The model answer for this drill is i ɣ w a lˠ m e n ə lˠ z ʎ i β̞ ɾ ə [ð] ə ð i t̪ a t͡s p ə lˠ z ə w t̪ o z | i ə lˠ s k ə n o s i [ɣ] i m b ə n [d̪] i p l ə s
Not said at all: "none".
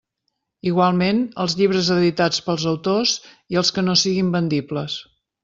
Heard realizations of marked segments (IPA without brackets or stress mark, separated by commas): z, ɣ, d̪